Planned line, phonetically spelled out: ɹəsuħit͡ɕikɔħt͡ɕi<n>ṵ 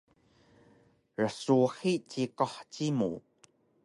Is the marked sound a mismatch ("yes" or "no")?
yes